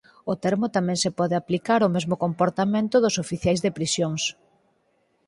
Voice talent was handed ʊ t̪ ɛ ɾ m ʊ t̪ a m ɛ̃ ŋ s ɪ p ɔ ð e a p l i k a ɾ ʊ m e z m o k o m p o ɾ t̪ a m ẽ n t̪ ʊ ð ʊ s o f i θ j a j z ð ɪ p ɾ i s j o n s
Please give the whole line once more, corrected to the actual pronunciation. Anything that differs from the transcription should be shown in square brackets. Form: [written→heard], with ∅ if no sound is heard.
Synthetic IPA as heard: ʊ t̪ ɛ ɾ m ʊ t̪ a m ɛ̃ ŋ s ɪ p ɔ ð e a p l i k a ɾ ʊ m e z m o k o m p o ɾ t̪ a m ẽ n t̪ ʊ ð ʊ s o f i θ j a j z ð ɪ p ɾ i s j o [n→ŋ] s

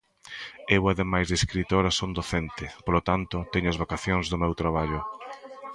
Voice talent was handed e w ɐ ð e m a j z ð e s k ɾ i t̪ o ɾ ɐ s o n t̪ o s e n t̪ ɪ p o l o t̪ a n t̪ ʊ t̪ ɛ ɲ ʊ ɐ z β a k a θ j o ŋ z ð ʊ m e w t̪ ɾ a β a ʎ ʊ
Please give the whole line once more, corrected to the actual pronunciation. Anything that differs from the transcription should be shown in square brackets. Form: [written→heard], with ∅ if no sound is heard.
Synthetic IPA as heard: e w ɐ ð e m a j z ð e s k ɾ i t̪ o ɾ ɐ s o n [t̪→d̪] o [s→θ] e n t̪ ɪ p o l o t̪ a n t̪ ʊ t̪ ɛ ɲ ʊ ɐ z β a k a θ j o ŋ z ð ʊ m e w t̪ ɾ a β a ʎ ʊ

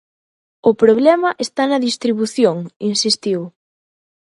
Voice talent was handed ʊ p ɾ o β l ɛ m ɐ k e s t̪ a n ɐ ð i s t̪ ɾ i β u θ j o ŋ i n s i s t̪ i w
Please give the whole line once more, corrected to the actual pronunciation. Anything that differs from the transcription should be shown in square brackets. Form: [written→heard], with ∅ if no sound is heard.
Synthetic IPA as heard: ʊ p ɾ o β l ɛ m ɐ [k→ʔ] e s t̪ a n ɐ ð i s t̪ ɾ i β u θ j o ŋ i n s i s t̪ i w

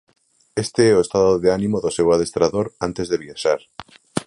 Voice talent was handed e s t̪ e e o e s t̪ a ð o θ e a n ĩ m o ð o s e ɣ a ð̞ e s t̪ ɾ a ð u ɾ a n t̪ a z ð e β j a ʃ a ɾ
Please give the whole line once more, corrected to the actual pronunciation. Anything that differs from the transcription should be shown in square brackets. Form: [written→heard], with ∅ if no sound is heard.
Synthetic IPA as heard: e s t̪ e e o e s t̪ a ð o [θ→ð] e a n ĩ m o ð o s e [ɣ→w] a ð̞ e s t̪ ɾ a ð [u→o] ɾ a n t̪ [a→e] z ð e β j a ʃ a ɾ

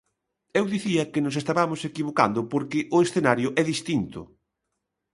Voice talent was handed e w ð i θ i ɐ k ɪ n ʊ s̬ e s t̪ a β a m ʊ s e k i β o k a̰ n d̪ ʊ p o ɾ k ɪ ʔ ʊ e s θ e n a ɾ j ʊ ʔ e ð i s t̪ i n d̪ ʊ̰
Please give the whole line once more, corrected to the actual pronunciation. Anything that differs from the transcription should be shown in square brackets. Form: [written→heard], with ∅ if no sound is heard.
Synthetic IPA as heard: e w ð i θ i ɐ k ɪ n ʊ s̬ e s t̪ a β a m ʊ s e k i β o k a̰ n d̪ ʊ p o ɾ k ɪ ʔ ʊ e s θ e n a ɾ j ʊ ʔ [e→ɛ] ð i s t̪ i n [d̪→t̪] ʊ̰

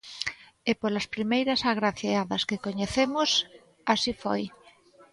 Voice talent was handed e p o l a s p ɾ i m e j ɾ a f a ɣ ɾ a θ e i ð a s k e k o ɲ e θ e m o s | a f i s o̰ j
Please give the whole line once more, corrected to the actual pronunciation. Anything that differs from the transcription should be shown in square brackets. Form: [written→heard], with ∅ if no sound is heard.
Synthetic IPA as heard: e p o l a s p ɾ i m e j ɾ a [f→s] a ɣ ɾ a θ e [i→a] ð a s k e k o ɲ e θ e m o s | a [f→s] i [s→f] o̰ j

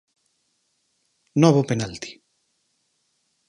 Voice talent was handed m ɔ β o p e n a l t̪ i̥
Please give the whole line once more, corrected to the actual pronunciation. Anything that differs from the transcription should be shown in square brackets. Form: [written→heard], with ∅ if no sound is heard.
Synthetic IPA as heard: [m→n] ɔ β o p e n a l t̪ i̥

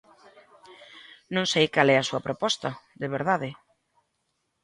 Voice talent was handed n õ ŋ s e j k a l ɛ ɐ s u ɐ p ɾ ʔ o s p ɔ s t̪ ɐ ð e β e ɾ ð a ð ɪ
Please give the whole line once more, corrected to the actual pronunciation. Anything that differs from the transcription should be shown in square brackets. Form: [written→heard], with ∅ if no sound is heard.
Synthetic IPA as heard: n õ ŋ s e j k a l ɛ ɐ s u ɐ p ɾ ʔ o [s→∅] p ɔ s t̪ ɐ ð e β e ɾ ð a ð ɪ

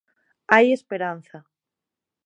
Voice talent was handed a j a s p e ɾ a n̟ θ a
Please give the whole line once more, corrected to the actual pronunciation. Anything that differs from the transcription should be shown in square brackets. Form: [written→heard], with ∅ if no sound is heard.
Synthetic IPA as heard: a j [a→e] s p e ɾ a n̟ θ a

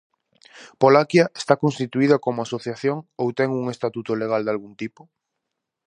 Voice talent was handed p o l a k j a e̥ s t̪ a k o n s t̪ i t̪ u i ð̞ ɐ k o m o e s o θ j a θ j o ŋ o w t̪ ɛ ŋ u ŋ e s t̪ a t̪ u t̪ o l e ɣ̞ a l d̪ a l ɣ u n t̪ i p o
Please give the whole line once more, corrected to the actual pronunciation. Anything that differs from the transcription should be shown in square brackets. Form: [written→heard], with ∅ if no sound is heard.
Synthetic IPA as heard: p o l a k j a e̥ s t̪ a k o n s t̪ i t̪ u i ð̞ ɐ k o m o [e→a] s o θ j a θ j o ŋ o w t̪ ɛ ŋ u ŋ e s t̪ a t̪ u t̪ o l e ɣ̞ a l d̪ a l ɣ u n t̪ i p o

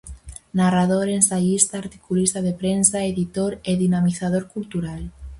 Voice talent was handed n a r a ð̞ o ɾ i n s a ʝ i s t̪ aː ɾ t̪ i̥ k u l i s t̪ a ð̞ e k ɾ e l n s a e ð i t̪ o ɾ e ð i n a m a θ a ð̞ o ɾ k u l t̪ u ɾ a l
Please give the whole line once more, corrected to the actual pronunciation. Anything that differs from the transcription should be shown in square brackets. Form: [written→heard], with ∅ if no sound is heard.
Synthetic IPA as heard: n a r a ð̞ o ɾ [i→e] n s a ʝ i s t̪ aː ɾ t̪ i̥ k u l i s t̪ a ð̞ e [k→p] ɾ e [l→∅] n s a e ð i t̪ o ɾ e ð i n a m [a→i] θ a ð̞ o ɾ k u l t̪ u ɾ a l

